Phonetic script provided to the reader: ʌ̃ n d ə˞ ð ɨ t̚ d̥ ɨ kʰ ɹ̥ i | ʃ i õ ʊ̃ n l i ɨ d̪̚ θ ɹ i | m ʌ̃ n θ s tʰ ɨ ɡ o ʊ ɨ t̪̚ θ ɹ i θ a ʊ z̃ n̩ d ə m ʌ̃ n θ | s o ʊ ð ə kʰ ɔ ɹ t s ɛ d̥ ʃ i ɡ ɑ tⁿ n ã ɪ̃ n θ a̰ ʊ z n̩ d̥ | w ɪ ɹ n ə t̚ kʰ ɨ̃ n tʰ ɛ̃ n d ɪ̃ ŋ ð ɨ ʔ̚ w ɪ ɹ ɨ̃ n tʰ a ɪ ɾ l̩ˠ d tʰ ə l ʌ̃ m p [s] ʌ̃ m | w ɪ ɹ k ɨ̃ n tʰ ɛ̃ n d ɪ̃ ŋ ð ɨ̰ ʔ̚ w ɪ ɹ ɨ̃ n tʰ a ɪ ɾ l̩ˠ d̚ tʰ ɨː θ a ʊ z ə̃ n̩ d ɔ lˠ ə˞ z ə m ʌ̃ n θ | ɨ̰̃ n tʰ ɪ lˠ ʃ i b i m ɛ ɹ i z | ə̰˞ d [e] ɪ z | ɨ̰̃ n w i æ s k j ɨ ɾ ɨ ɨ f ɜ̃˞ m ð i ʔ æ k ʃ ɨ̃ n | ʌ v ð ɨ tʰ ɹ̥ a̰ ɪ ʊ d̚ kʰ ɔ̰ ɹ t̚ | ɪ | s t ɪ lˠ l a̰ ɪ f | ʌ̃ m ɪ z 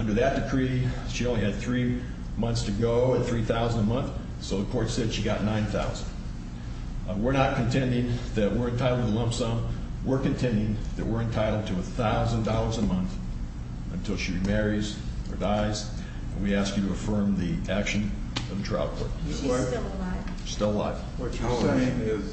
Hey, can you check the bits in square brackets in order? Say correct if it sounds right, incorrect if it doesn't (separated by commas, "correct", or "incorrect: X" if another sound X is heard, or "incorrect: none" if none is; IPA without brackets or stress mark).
correct, incorrect: a